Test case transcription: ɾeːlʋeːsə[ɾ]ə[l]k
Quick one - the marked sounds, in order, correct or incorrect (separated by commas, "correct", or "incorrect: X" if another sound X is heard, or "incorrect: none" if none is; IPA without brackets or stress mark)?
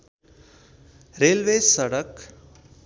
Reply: incorrect: ɽ, incorrect: none